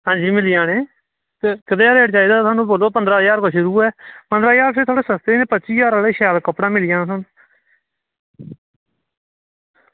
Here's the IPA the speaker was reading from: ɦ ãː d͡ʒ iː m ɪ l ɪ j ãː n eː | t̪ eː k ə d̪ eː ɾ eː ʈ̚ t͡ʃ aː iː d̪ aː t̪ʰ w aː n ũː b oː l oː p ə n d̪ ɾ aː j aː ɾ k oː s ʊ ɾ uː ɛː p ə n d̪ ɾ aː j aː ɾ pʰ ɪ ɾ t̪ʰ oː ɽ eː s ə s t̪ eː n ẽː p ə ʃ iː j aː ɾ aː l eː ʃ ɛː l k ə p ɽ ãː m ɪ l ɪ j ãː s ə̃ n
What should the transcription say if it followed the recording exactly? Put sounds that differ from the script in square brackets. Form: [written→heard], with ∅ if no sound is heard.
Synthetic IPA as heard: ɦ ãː d͡ʒ iː m ɪ l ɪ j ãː n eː | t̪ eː k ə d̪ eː ɾ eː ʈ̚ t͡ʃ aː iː d̪ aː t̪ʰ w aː n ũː b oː l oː p ə n d̪ ɾ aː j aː ɾ k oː [s→ʃ] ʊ ɾ uː ɛː p ə n d̪ ɾ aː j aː ɾ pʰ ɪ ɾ t̪ʰ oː ɽ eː s ə s t̪ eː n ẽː p ə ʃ iː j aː ɾ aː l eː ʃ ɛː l k ə p ɽ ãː m ɪ l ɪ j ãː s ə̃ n

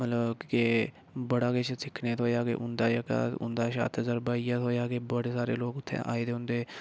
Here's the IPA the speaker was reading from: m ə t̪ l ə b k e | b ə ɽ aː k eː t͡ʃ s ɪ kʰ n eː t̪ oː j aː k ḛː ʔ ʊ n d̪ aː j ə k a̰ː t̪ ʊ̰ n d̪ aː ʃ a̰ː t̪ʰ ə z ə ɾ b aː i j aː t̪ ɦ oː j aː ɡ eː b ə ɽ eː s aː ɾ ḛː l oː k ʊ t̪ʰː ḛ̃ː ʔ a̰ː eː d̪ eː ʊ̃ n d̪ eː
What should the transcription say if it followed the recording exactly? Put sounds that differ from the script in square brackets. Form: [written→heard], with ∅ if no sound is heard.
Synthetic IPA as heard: m ə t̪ l ə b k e | b ə ɽ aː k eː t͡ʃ s ɪ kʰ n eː t̪ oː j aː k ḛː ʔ ʊ n d̪ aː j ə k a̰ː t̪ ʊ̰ n d̪ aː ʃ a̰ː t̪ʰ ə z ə ɾ b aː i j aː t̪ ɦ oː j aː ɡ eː b ə ɽ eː s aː ɾ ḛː l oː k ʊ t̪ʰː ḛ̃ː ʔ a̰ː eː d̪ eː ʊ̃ n d̪ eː

